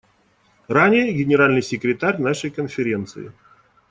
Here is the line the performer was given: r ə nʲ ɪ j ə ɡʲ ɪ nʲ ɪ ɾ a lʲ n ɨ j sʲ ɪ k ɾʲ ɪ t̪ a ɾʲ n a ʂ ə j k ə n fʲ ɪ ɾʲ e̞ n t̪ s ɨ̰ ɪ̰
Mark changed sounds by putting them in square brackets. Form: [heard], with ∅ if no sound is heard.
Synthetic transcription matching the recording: r [a] nʲ ɪ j ə ɡʲ ɪ nʲ ɪ ɾ a lʲ n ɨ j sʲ ɪ k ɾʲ ɪ t̪ a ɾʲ n a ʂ ə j k ə n fʲ ɪ ɾʲ e̞ n t̪ s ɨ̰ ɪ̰